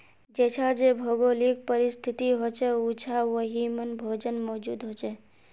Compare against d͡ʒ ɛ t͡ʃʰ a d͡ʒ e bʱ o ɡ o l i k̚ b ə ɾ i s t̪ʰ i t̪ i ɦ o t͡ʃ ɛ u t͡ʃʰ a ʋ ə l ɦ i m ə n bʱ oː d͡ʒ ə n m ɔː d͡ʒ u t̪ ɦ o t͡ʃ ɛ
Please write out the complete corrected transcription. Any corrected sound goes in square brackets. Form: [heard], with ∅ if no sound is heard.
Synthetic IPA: d͡ʒ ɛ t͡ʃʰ a d͡ʒ e bʱ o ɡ o l i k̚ [p] ə ɾ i s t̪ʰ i t̪ i ɦ o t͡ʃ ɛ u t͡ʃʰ a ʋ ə [∅] ɦ i m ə n bʱ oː d͡ʒ ə n m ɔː d͡ʒ u [d̪] ɦ o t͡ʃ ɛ